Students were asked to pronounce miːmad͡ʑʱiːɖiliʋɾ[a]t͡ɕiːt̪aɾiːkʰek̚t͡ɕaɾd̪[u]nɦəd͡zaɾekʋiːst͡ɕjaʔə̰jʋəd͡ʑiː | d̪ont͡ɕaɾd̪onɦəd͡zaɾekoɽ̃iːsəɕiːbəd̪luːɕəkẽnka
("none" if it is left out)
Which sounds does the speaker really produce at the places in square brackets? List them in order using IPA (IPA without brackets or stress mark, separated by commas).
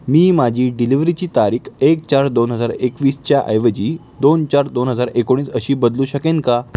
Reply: i, o